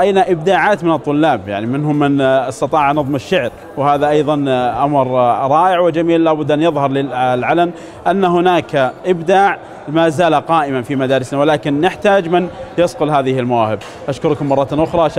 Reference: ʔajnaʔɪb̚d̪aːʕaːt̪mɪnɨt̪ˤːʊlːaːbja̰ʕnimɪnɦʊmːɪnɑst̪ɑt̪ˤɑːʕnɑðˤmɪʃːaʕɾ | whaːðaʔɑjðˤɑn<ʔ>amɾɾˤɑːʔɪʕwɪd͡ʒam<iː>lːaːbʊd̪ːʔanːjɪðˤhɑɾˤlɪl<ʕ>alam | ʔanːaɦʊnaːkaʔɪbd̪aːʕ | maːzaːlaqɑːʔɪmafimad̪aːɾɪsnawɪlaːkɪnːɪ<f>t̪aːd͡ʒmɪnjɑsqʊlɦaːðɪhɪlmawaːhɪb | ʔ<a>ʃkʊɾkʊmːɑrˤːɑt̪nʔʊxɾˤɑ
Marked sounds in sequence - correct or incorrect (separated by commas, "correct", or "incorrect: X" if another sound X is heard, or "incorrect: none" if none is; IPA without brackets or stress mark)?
correct, correct, correct, incorrect: ħ, correct